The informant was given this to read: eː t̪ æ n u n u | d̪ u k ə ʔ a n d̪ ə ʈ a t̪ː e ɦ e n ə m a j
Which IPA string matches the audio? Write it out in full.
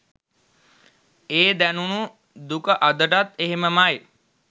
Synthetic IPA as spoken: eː d̪ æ n u n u | d̪ u k ə ʔ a d̪ ə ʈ a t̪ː e ɦ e m ə m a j